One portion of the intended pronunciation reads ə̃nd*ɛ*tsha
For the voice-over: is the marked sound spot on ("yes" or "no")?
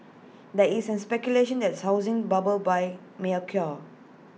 yes